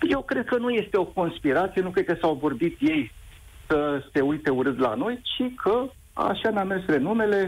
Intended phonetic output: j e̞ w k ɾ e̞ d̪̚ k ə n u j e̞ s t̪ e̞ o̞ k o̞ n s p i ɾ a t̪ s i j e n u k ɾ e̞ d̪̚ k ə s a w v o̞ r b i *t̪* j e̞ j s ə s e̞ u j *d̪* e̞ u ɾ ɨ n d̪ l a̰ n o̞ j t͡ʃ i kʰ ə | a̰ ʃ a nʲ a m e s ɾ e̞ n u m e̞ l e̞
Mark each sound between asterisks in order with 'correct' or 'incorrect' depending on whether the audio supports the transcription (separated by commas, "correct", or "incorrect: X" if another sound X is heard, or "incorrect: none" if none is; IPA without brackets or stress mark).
correct, incorrect: t̪